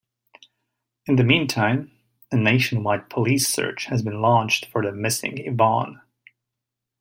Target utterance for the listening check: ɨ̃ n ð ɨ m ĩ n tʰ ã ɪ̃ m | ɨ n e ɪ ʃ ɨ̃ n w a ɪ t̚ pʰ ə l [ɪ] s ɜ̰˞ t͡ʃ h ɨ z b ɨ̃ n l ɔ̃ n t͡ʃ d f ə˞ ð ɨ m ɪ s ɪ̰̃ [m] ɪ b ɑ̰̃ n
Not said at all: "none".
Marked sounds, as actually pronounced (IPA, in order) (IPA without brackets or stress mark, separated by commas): i, ŋ